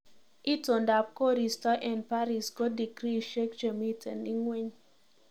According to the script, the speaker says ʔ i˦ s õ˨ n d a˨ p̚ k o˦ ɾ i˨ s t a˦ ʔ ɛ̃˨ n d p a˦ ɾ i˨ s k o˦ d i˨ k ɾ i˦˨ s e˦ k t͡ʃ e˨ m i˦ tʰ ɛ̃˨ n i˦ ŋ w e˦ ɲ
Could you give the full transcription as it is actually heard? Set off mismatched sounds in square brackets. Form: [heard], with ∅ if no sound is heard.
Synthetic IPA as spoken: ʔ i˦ [t] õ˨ n d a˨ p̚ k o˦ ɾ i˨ s t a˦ ʔ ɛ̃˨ n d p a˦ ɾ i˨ s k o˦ d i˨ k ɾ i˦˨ [ʃ] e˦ k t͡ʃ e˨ m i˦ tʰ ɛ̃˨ n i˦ ŋ w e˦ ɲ